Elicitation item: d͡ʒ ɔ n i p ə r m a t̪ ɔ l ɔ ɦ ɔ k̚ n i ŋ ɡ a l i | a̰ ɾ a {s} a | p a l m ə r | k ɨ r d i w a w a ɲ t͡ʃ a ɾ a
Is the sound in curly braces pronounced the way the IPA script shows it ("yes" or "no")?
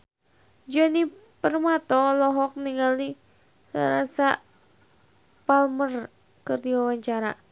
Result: yes